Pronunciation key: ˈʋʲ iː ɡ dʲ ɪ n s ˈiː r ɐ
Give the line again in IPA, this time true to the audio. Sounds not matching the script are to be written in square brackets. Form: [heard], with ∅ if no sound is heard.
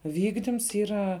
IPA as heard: ˈʋʲ iː ɡ dʲ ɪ [m] s ˈiː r ɐ